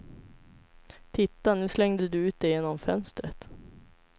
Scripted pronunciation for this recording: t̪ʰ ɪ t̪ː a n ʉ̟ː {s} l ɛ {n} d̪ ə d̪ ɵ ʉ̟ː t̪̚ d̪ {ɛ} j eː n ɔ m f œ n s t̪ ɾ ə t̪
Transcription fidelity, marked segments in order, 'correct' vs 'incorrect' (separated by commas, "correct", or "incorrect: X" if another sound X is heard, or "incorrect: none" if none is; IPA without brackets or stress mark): correct, incorrect: ŋ, correct